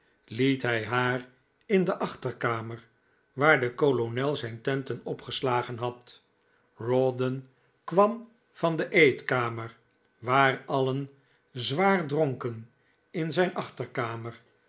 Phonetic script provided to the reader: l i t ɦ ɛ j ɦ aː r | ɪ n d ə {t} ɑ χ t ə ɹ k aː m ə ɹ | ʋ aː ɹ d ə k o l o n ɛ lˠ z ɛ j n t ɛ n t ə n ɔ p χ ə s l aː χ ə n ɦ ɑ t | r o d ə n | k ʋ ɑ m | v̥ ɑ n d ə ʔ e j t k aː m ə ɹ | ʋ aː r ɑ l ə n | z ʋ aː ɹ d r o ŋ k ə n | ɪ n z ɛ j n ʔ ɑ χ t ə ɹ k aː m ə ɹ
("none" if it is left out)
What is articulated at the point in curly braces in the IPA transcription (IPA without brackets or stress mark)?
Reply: ʔ